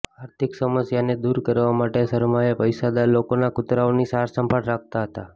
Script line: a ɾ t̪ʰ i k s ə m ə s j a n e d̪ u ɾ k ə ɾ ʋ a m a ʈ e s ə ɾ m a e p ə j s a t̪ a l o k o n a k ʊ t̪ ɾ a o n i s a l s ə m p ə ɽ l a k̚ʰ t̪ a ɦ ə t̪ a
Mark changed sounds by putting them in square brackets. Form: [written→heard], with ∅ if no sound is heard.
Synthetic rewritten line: a ɾ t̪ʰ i k s ə m ə s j a n e d̪ u ɾ k ə ɾ ʋ a m a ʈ e s ə ɾ m a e p ə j s a [t̪→d̪] a l o k o n a k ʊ t̪ ɾ a o n i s a [l→ɾ] s ə m p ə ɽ [l→ɾ] a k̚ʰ t̪ a ɦ ə t̪ a